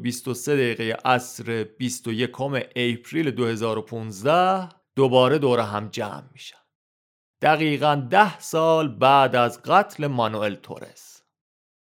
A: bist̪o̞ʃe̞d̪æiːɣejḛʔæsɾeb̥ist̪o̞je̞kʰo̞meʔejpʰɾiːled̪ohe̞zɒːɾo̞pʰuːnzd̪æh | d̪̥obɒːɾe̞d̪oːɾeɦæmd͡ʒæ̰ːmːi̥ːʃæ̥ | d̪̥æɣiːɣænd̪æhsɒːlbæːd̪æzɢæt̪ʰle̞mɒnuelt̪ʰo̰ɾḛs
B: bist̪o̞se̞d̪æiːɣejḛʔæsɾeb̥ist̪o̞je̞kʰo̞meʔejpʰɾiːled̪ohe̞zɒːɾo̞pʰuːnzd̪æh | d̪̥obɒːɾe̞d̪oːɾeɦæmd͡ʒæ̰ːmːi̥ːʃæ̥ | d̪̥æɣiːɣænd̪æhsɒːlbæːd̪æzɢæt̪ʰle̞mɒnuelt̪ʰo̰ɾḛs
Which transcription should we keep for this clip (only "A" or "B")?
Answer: B